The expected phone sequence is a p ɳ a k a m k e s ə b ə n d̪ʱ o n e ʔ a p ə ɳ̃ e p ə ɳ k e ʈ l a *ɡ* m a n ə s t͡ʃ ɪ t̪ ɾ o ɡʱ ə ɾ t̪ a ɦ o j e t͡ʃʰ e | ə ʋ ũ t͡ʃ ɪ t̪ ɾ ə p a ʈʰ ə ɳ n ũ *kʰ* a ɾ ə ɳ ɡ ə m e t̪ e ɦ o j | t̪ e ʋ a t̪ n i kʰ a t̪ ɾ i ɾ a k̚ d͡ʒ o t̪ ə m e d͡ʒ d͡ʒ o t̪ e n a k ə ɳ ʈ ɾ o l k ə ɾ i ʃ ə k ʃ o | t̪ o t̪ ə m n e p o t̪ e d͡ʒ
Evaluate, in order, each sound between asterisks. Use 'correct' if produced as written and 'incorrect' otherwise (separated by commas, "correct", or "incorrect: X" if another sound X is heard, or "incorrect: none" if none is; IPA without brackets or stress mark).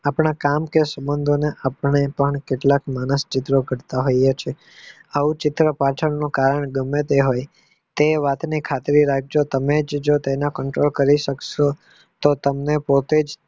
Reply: incorrect: k, incorrect: k